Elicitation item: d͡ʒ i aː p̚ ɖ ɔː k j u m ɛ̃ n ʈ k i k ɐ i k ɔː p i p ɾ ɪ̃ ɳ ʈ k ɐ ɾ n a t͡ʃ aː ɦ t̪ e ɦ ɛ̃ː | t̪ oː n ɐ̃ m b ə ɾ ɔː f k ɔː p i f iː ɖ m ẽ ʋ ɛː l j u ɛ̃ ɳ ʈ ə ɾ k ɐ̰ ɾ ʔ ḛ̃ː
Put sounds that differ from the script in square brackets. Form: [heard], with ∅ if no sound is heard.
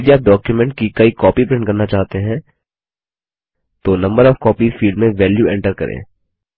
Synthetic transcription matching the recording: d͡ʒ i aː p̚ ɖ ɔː k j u m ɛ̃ [ɳ] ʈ k i k ɐ i k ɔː p i p ɾ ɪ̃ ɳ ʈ k ɐ ɾ n a t͡ʃ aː ɦ t̪ e ɦ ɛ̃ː | t̪ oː n ɐ̃ m b ə ɾ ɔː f k ɔː p i f iː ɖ m ẽ ʋ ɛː l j u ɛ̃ ɳ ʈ ə ɾ k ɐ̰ ɾ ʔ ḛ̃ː